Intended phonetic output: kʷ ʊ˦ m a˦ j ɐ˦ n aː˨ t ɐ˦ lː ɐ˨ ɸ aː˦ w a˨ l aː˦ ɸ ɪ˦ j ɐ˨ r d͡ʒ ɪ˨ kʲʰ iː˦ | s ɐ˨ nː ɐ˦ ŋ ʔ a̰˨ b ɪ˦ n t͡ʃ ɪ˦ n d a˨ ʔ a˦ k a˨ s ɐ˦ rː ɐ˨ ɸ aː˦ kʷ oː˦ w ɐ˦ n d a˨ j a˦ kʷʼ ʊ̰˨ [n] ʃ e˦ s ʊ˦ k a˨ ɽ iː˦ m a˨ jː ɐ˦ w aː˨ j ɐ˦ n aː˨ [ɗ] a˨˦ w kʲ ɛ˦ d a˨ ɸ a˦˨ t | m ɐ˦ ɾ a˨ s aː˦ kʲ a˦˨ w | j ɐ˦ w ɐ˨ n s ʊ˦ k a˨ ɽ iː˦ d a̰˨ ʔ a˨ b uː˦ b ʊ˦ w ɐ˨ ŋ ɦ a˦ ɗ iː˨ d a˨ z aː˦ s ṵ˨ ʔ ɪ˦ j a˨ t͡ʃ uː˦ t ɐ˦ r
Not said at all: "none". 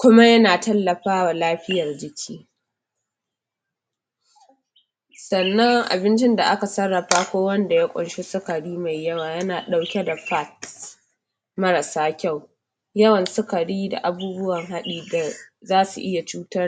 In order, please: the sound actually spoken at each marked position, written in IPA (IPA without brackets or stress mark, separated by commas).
n, ɗ